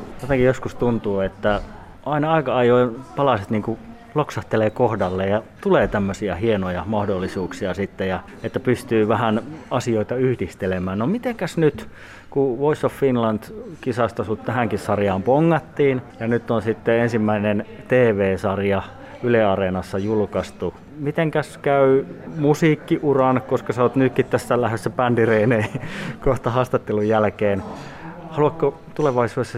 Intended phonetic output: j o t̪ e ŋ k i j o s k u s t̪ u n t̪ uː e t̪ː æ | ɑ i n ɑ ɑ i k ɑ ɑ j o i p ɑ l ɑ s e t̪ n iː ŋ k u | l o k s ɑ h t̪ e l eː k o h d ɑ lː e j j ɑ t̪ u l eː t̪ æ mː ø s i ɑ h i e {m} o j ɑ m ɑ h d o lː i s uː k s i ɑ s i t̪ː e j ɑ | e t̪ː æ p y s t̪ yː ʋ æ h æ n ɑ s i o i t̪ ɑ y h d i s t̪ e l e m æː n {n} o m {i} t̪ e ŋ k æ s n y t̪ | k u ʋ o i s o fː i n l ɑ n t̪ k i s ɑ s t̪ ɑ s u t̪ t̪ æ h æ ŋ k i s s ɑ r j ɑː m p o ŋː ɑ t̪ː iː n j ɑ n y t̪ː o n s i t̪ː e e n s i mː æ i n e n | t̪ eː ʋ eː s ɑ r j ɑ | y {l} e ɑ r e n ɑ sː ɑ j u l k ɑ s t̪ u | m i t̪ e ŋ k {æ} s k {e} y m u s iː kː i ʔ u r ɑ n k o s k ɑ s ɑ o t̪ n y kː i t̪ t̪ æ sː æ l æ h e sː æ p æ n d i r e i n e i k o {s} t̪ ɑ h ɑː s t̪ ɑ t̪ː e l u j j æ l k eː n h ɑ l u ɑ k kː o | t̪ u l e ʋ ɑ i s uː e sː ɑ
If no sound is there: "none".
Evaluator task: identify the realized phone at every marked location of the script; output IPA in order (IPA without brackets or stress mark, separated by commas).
n, n, i, l, æ, æ, h